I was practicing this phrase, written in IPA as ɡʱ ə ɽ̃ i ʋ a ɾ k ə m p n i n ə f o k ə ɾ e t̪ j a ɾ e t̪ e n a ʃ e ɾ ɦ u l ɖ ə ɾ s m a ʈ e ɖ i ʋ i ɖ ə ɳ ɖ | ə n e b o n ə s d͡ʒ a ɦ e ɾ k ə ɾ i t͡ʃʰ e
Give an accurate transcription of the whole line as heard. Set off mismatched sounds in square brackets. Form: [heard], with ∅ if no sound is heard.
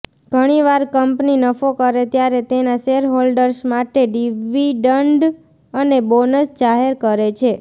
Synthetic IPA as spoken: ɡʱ ə ɽ̃ i ʋ a ɾ k ə m p n i n ə f o k ə ɾ e t̪ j a ɾ e t̪ e n a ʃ e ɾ ɦ [o] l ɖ ə ɾ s m a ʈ e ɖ i ʋ i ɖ ə ɳ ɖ | ə n e b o n ə s d͡ʒ a ɦ e ɾ k ə ɾ [e] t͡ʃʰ e